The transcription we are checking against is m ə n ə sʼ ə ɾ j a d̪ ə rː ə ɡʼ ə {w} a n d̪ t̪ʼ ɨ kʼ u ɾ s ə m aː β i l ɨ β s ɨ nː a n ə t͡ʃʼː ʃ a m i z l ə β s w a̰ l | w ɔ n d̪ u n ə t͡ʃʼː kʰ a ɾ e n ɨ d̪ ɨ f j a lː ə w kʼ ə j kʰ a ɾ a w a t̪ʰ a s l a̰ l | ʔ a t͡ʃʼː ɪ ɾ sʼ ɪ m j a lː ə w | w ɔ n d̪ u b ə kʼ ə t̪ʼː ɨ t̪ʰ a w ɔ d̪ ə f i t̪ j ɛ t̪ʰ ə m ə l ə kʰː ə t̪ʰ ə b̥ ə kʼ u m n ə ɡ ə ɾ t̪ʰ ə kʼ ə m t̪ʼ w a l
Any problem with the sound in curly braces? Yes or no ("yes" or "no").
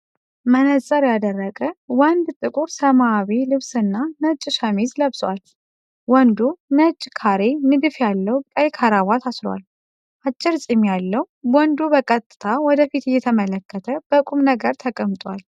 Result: no